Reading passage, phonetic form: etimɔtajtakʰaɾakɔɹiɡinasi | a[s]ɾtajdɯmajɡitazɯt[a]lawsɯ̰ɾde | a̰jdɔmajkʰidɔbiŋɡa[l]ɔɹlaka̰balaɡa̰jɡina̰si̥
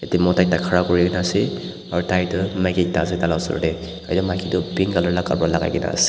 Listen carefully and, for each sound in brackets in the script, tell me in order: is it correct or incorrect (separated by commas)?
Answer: incorrect, correct, correct